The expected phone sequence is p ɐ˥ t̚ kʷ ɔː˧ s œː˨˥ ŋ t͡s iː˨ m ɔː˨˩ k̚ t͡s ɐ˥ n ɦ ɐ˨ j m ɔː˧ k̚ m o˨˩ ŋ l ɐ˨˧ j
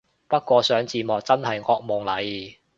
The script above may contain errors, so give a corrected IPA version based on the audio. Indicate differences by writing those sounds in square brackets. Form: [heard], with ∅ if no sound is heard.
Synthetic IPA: p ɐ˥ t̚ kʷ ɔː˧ s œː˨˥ ŋ t͡s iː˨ m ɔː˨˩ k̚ t͡s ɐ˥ n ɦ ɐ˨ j [ŋ] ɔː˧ k̚ m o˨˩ ŋ l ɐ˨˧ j